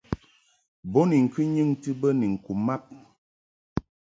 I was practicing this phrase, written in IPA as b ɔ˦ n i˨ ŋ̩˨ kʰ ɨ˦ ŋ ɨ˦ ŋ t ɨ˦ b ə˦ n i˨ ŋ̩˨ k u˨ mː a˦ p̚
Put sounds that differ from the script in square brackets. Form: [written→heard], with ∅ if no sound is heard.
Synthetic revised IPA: b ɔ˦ n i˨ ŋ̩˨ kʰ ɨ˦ [ŋ→ɲ] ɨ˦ ŋ t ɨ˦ b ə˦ n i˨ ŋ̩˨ k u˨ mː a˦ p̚